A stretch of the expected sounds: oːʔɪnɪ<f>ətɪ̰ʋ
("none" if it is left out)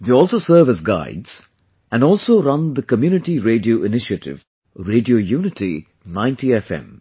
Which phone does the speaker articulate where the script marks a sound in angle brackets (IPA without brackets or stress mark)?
ʃ